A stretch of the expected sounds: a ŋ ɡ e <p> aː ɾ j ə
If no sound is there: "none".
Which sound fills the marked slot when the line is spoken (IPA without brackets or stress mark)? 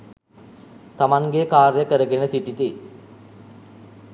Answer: k